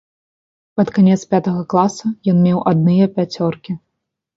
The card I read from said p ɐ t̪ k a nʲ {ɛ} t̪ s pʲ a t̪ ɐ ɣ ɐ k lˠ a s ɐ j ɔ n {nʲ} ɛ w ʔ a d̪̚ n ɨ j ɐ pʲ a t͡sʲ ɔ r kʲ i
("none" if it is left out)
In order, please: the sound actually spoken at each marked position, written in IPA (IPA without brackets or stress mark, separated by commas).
ɛ, mʲ